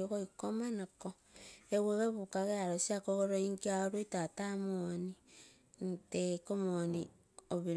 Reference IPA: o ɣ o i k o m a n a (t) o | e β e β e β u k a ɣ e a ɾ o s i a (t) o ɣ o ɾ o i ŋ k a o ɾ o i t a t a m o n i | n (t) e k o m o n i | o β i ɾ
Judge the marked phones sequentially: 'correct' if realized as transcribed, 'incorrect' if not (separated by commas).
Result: incorrect, incorrect, correct